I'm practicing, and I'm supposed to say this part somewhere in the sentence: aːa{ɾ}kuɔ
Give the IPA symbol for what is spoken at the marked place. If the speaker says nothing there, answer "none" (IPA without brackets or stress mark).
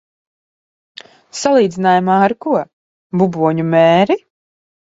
ɾ